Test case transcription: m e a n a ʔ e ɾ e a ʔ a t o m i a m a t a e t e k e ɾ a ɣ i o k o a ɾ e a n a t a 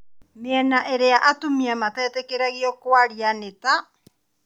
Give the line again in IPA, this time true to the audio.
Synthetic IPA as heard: m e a n a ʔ e ɾ e a ʔ a t u m i a m a t a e t e k e ɾ a ɣ i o k o a ɾ i a n e t a